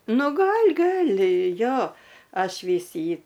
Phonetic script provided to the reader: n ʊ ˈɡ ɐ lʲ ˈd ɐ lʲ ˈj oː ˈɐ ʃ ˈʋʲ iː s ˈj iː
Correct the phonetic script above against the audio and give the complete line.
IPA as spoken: n ʊ ˈɡ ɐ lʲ ˈɡ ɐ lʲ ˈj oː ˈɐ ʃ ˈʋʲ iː s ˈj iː